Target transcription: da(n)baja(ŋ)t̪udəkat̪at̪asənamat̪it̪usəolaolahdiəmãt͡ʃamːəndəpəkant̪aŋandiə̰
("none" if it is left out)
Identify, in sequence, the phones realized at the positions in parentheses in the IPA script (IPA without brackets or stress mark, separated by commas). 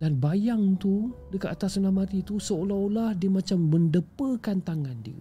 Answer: n, ŋ